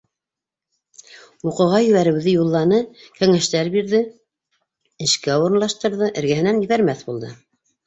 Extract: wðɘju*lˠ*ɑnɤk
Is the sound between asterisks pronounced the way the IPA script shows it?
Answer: no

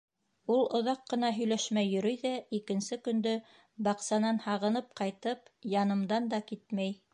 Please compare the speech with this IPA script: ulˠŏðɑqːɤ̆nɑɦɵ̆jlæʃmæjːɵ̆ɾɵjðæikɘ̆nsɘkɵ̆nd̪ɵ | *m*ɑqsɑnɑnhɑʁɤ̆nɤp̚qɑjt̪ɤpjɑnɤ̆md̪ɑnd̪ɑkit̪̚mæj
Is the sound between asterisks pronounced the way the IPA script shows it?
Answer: no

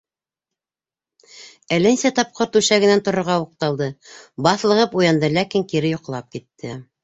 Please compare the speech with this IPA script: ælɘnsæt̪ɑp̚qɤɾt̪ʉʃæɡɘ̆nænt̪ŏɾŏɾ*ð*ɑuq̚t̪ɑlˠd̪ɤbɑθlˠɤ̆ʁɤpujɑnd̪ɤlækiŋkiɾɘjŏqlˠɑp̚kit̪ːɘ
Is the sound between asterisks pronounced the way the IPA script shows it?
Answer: no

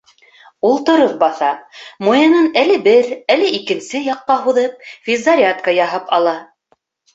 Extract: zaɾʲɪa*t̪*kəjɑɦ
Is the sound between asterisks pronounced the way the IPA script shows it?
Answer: yes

